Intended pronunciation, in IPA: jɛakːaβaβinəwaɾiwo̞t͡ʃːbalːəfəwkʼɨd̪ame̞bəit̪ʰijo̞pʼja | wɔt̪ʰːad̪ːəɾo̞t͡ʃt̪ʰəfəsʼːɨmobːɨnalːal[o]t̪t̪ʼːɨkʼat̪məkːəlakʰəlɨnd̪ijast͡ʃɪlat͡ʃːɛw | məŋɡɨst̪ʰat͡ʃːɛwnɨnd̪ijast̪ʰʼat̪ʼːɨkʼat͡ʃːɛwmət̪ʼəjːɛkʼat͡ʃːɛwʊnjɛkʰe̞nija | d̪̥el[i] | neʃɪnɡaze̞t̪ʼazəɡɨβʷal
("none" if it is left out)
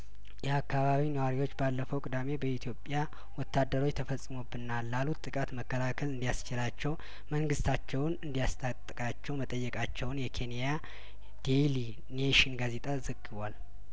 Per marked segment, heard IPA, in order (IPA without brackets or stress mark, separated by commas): u, i